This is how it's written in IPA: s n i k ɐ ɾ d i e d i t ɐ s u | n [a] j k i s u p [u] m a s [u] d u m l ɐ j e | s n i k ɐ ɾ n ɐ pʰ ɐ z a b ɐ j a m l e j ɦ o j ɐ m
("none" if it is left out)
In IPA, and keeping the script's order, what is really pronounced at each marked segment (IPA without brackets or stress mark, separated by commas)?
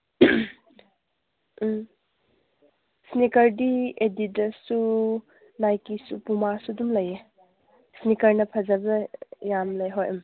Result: a, u, u